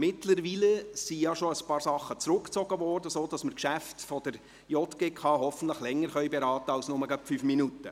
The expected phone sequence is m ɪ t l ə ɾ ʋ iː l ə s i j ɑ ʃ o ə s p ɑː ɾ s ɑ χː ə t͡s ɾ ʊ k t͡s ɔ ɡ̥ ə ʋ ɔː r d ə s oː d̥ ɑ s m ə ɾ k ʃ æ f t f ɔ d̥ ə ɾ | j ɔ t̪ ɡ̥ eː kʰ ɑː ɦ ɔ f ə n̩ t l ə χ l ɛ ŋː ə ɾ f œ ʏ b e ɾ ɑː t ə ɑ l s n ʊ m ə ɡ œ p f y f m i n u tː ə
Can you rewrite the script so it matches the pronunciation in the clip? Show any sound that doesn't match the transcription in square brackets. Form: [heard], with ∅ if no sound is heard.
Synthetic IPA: m ɪ t l ə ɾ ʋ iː l ə s i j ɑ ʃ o ə s p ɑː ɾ s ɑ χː ə t͡s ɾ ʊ k t͡s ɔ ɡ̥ ə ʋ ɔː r d ə s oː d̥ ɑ s m ə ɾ k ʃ æ f t f ɔ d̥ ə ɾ | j ɔ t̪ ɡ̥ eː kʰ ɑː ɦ ɔ f ə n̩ t l ə χ l ɛ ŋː ə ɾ [χ] œ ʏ b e ɾ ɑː t ə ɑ l s n ʊ m ə ɡ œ p f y f m i n u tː ə